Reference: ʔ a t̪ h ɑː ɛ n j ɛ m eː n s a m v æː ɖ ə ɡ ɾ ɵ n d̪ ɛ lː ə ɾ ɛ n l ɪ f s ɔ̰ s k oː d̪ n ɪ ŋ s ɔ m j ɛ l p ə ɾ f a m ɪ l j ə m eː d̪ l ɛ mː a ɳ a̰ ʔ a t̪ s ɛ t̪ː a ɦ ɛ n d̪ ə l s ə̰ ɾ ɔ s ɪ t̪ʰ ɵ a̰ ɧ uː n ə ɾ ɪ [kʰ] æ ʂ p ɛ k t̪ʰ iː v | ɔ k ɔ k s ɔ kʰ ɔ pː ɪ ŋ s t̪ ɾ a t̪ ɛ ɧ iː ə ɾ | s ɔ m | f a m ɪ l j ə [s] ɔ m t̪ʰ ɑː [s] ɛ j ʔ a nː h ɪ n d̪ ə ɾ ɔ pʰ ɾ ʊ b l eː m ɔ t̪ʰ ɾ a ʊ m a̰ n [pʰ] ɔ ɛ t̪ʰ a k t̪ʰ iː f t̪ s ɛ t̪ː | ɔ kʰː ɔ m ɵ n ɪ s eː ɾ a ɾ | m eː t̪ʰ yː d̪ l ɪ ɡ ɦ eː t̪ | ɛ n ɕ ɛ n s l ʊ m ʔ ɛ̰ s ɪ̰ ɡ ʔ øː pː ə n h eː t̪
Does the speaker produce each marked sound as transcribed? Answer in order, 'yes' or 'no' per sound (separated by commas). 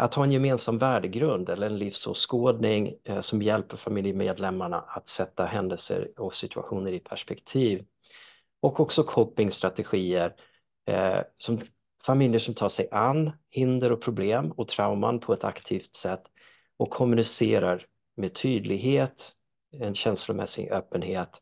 no, no, no, yes